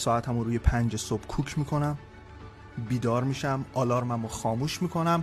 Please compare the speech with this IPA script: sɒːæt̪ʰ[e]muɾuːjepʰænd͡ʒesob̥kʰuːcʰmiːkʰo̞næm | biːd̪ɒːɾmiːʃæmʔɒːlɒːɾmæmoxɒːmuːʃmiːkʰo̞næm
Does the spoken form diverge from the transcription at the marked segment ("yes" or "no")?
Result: yes